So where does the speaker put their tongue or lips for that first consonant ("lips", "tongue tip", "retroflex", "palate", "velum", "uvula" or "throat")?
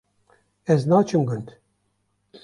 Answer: tongue tip